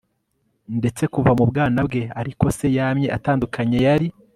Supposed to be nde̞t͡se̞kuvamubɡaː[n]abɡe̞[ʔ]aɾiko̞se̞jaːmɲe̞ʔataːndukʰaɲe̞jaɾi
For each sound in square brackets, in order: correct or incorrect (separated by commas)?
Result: correct, incorrect